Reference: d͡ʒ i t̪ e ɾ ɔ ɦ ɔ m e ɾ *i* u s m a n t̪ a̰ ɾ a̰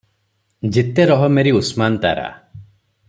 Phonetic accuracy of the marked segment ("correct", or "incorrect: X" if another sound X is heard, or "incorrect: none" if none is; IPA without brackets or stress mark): correct